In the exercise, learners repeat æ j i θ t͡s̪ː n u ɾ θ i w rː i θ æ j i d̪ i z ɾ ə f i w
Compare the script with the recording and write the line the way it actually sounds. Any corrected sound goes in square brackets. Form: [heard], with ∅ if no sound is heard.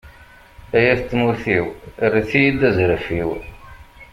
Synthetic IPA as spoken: æ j [æ] θ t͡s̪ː [m] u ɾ θ i w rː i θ [i] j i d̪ [æ] z ɾ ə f i w